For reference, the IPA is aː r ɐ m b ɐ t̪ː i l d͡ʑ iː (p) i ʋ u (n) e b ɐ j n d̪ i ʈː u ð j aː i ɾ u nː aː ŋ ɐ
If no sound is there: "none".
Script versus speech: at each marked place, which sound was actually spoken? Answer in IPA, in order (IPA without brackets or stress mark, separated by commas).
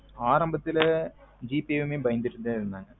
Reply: p, m